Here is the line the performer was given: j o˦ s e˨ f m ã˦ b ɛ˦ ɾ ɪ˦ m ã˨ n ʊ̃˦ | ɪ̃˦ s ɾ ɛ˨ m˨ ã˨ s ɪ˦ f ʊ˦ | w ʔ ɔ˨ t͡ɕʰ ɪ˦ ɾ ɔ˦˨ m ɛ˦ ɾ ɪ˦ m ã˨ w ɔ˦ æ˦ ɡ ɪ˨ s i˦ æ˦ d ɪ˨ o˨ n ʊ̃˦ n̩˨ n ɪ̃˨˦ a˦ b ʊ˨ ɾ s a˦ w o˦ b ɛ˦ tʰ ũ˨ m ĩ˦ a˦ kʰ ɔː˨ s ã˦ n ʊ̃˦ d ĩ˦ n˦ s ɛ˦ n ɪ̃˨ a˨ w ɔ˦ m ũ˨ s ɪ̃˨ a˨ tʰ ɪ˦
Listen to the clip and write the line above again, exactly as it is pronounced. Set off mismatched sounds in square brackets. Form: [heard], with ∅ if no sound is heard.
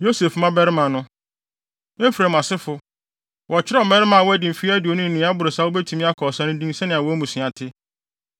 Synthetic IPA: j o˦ s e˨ f m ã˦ b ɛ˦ ɾ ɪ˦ m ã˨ n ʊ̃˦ | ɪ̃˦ [f] ɾ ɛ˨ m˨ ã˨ s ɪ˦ f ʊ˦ | w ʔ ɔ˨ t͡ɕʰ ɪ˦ ɾ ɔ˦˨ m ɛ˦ ɾ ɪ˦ m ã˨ w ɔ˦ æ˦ [d] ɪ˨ [f] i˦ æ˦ d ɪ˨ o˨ n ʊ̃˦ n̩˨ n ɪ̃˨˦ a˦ b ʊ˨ ɾ s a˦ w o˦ b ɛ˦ tʰ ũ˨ m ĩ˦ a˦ kʰ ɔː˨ s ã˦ n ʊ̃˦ d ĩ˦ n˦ s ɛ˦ n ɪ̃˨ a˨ w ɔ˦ m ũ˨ s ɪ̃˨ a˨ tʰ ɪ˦